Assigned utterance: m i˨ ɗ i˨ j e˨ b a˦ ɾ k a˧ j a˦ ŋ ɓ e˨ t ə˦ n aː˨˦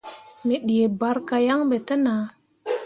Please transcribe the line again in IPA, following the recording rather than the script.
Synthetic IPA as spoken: m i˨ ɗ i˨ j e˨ b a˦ ɾ k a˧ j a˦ ŋ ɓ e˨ t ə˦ n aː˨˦